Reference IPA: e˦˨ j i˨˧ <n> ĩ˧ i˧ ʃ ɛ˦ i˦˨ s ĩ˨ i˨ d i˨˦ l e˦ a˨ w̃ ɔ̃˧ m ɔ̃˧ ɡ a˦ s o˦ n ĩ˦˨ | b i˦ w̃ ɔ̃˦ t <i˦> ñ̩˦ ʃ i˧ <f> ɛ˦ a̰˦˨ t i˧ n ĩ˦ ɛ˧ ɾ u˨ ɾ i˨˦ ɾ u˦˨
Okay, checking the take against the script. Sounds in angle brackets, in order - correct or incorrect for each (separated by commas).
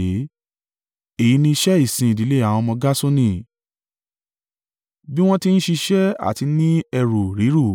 correct, correct, incorrect